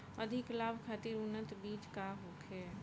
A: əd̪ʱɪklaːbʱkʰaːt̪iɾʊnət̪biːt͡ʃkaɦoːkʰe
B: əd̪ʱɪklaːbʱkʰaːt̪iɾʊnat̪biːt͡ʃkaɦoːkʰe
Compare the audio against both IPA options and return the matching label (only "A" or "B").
A